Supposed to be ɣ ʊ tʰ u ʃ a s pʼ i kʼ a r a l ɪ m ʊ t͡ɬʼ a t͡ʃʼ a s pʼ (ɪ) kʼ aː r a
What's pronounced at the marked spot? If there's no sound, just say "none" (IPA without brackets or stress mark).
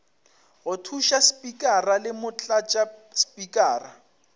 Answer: i